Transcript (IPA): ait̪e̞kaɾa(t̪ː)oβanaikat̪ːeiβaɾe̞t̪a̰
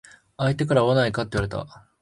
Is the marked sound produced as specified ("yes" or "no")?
no